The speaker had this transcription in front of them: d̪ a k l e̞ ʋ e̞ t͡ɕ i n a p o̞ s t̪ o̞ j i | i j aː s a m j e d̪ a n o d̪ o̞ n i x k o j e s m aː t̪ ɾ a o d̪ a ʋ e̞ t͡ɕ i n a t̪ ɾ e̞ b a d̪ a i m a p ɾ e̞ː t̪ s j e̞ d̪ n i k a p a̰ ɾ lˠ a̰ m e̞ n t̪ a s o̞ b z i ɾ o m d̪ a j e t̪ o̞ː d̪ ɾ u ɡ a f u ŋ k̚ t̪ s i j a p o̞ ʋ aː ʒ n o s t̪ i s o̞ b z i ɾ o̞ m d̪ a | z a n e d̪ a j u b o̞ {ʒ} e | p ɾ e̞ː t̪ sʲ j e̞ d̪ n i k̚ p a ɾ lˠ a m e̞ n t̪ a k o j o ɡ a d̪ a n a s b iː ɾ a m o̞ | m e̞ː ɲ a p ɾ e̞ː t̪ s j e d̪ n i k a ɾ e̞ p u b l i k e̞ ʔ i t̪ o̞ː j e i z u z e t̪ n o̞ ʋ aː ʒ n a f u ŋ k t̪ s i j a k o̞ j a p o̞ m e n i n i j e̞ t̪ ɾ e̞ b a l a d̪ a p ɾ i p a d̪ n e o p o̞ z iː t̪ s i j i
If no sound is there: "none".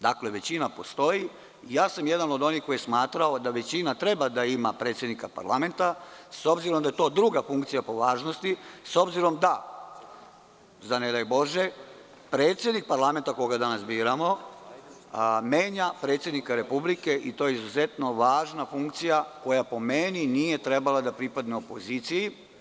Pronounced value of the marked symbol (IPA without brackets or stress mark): ʒ